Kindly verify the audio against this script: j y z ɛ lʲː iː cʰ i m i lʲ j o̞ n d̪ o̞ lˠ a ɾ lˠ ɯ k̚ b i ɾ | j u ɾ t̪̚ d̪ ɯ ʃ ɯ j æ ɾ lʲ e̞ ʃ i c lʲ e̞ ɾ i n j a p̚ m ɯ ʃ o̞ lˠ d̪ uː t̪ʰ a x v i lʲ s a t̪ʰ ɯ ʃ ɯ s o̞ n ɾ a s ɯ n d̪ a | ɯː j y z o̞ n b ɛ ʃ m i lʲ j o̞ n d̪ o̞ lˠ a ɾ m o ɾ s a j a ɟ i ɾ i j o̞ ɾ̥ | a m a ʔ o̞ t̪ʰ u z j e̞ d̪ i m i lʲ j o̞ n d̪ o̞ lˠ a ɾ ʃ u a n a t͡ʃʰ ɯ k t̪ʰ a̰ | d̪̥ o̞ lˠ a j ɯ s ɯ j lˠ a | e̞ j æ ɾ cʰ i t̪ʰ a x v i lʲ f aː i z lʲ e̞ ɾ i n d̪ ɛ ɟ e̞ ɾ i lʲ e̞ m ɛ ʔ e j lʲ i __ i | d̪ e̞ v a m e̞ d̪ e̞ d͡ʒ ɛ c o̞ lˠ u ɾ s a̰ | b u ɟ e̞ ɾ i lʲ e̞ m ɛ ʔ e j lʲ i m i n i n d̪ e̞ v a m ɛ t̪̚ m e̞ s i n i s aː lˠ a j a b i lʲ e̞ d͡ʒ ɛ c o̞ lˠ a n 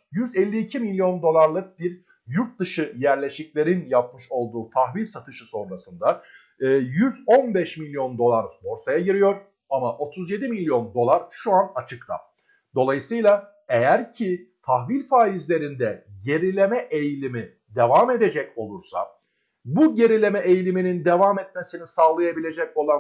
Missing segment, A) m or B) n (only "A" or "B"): A